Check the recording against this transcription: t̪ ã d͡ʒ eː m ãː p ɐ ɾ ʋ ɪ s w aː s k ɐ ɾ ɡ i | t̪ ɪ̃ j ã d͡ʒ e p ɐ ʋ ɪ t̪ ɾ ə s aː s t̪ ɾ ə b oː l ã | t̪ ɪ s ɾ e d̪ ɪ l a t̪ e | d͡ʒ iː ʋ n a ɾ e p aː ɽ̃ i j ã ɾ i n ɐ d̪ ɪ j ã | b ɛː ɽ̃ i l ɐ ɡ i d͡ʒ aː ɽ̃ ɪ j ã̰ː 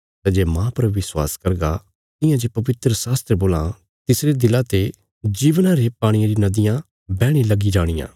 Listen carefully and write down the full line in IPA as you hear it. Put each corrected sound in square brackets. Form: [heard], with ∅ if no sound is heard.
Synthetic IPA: t̪ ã d͡ʒ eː m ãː p ɐ ɾ ʋ ɪ s w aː s k ɐ ɾ ɡ [a] | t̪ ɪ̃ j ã d͡ʒ e p ɐ ʋ ɪ t̪ ɾ ə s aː s t̪ ɾ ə b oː l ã | t̪ ɪ s ɾ e d̪ ɪ l a t̪ e | d͡ʒ iː ʋ n a ɾ e p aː ɽ̃ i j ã ɾ i n ɐ d̪ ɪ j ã | b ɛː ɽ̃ i l ɐ ɡ i d͡ʒ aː ɽ̃ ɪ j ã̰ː

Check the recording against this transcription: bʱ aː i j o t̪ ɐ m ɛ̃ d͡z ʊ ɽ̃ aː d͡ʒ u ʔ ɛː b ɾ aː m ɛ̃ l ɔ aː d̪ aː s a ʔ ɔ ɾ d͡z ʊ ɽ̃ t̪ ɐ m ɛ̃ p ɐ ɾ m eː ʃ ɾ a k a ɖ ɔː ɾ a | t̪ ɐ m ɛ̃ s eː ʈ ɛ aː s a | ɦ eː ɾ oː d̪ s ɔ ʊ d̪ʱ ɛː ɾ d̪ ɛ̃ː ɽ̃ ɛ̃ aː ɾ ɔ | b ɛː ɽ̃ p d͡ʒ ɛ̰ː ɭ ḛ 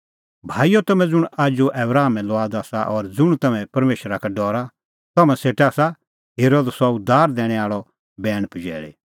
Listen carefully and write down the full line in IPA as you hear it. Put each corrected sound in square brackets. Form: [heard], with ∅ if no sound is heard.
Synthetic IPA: bʱ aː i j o t̪ ɐ m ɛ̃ d͡z ʊ ɽ̃ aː d͡ʒ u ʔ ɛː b ɾ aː m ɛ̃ l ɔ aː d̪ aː s a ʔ ɔ ɾ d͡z ʊ ɽ̃ t̪ ɐ m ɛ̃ p ɐ ɾ m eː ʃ ɾ a k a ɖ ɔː ɾ a | t̪ ɐ m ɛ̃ s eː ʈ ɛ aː s a | ɦ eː ɾ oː d̪ s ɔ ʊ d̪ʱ [aː] ɾ d̪ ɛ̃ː ɽ̃ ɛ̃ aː [ɭ] ɔ | b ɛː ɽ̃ p d͡ʒ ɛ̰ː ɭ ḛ

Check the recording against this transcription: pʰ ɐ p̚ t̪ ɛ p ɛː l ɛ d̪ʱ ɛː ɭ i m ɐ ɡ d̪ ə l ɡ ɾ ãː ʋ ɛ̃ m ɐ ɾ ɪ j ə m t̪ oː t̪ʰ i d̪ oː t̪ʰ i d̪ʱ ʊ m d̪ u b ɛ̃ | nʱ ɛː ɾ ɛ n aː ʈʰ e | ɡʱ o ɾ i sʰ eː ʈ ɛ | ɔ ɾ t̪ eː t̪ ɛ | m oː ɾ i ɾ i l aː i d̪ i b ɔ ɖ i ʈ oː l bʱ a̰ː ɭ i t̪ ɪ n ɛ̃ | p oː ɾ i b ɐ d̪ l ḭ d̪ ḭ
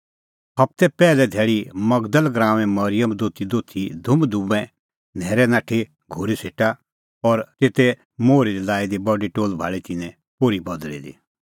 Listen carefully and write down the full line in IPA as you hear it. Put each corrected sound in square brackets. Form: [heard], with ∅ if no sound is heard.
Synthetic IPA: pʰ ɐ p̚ t̪ ɛ p ɛː l ɛ d̪ʱ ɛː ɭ i m ɐ ɡ d̪ ə l ɡ ɾ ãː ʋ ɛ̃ m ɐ ɾ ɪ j ə m [d̪] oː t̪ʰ i d̪ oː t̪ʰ i d̪ʱ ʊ m d̪ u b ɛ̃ | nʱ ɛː ɾ ɛ n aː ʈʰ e | ɡʱ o ɾ i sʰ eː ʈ [a] | ɔ ɾ t̪ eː t̪ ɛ | m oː ɾ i ɾ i l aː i d̪ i b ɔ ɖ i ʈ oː l bʱ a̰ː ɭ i t̪ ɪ n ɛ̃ | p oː ɾ i b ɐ d̪ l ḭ d̪ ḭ

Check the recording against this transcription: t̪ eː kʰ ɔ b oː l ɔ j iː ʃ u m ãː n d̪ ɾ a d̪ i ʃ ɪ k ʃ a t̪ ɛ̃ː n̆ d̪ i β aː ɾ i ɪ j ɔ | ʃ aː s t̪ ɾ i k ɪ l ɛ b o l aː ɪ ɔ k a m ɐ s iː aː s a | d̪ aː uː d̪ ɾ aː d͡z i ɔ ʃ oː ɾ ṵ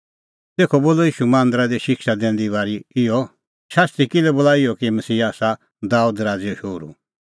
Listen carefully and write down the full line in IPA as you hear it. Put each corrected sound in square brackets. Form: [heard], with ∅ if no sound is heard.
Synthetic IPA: t̪ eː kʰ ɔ b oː l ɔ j iː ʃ u m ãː n d̪ ɾ a d̪ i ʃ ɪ k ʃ a [d̪] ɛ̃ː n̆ d̪ i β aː ɾ i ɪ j ɔ | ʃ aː s t̪ ɾ i k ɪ l ɛ b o l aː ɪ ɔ k [i] m ɐ s iː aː s a | d̪ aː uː d̪ ɾ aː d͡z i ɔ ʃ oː ɾ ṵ

